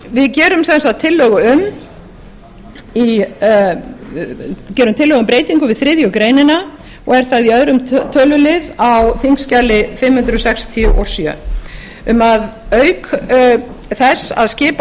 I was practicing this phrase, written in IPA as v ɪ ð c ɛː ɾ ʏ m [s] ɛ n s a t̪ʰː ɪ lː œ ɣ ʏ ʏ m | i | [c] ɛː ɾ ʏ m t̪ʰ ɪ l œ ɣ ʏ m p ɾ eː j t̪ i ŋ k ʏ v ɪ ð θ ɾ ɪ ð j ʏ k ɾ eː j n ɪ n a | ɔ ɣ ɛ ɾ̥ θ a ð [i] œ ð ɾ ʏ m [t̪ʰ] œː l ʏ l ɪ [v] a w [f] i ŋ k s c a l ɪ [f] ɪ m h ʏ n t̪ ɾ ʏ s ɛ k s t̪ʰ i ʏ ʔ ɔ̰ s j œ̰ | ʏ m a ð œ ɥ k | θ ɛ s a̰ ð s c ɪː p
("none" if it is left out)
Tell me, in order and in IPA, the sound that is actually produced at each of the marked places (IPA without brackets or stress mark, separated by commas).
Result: s, c, i, t̪ʰ, ð, θ, f